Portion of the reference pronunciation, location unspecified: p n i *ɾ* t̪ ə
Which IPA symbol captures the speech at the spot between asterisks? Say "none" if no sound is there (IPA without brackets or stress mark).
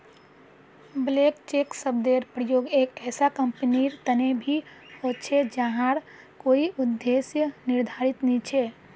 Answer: ɾ